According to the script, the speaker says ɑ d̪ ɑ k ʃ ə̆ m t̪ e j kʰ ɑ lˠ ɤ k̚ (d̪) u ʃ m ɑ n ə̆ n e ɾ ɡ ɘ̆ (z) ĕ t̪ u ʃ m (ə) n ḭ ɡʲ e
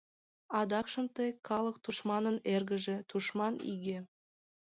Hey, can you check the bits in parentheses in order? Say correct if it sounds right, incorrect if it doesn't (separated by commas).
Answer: incorrect, incorrect, incorrect